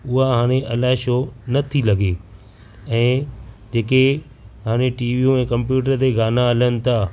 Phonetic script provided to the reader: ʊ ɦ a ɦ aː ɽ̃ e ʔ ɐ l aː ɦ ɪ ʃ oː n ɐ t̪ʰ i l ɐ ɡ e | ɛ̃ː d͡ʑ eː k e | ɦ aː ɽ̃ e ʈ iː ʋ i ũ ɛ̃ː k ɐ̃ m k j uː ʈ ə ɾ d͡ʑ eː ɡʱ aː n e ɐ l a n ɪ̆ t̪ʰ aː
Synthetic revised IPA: ʊ ɦ a ɦ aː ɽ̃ e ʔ ɐ l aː ɦ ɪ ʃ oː n ɐ t̪ʰ i l ɐ ɡ e | ɛ̃ː d͡ʑ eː k e | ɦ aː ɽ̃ e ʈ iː ʋ i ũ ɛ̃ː k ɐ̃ m p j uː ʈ ə ɾ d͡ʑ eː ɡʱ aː n a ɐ l ə n ɪ̆ t̪ʰ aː